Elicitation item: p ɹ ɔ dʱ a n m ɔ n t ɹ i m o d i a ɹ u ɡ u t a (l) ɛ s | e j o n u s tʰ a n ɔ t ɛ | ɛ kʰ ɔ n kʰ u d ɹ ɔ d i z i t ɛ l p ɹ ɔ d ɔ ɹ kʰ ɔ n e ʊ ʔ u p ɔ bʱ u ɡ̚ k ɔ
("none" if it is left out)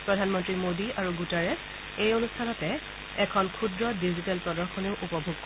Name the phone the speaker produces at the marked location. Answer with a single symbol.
ɹ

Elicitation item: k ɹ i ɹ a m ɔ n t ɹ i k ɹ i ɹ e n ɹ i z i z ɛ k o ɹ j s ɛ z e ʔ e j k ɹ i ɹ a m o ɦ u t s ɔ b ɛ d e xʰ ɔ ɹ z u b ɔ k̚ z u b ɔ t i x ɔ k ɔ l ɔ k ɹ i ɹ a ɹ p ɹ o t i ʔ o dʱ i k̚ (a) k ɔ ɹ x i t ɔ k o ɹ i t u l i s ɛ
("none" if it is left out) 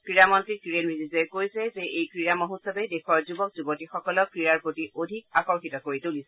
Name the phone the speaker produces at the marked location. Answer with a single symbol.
a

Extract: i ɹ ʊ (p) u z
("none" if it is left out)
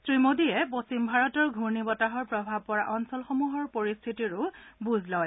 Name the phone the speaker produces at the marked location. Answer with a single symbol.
b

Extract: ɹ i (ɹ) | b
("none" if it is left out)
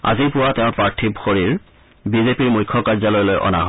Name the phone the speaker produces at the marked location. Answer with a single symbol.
ɹ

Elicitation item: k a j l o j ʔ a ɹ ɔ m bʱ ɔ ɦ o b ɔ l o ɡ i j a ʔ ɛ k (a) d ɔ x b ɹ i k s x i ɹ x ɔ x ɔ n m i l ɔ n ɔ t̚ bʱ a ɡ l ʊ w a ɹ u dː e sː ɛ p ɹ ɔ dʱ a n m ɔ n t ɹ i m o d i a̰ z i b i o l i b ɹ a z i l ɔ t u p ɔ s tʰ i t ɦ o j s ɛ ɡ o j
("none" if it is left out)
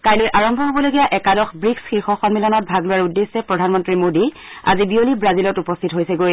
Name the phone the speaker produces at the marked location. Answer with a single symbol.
a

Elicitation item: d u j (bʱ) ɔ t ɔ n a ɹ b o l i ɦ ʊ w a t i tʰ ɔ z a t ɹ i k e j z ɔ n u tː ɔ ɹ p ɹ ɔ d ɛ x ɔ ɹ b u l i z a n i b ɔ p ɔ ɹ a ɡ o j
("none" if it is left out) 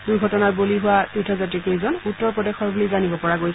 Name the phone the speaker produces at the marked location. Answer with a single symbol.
ɡʱ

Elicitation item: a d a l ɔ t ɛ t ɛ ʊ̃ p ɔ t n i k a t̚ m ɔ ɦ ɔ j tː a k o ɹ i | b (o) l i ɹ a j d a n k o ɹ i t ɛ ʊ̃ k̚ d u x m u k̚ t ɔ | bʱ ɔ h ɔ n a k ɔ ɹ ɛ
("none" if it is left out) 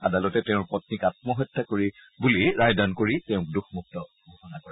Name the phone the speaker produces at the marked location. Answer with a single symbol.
u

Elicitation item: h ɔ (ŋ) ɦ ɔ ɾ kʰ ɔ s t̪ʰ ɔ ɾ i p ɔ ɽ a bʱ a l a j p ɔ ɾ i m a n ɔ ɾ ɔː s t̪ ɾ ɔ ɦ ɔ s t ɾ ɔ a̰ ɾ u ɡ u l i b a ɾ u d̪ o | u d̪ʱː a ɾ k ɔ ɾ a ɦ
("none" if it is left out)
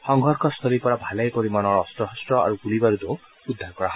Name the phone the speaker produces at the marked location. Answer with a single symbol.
ŋ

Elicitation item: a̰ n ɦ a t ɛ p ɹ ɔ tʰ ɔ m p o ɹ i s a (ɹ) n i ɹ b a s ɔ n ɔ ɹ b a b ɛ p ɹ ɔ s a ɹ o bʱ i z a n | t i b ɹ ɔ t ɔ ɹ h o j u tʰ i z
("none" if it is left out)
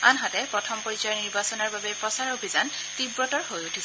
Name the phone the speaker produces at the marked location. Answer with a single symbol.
ɹ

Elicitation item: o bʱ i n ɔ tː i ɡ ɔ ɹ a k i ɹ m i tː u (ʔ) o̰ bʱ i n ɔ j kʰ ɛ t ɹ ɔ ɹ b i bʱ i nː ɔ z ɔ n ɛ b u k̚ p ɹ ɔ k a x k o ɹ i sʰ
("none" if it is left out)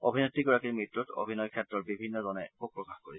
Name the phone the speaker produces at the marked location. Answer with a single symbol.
t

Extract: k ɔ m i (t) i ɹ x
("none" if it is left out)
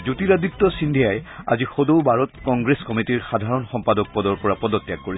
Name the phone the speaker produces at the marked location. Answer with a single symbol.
t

